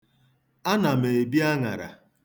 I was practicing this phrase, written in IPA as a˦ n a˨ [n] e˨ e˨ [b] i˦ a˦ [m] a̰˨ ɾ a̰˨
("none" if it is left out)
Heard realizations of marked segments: m, b, ŋ

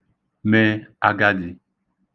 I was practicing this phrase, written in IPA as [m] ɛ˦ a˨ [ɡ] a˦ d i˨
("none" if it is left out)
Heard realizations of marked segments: m, ɡ

